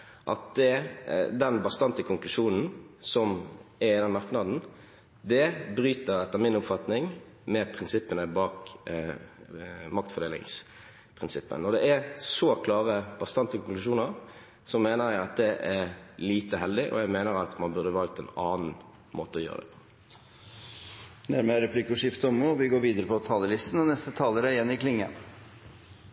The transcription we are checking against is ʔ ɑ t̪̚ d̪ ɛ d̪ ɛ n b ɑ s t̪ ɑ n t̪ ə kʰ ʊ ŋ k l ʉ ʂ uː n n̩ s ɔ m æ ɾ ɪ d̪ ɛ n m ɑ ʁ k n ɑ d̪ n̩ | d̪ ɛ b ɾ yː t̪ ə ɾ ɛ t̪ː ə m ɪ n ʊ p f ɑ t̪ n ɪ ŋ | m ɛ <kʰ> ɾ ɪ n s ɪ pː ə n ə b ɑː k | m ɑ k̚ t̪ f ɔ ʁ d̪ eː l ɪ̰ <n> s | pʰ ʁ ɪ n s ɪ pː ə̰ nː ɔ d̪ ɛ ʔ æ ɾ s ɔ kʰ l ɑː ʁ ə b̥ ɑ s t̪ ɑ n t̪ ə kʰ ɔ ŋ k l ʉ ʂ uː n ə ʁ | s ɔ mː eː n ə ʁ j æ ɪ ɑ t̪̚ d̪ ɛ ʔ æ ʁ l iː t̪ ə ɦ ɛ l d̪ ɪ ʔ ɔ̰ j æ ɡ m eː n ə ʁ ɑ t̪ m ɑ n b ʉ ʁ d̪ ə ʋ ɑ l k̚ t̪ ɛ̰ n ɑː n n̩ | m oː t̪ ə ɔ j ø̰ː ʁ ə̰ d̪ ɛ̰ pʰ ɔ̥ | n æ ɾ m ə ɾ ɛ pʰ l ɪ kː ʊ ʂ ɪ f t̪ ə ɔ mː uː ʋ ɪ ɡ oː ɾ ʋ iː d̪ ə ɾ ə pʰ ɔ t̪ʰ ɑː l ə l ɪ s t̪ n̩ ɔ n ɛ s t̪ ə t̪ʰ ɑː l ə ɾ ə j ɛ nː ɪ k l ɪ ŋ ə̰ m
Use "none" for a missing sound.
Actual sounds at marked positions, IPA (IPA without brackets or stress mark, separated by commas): pʰ, ŋ